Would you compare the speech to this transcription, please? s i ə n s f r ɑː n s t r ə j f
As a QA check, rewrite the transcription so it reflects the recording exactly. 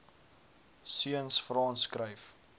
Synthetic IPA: s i ə n s f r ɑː n s k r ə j f